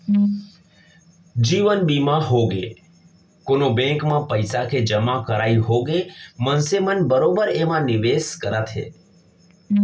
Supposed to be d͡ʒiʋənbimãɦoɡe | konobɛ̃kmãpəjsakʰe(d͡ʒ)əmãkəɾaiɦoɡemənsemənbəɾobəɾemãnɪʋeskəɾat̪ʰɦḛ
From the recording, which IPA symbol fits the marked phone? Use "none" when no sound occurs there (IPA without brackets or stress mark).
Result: d͡ʒ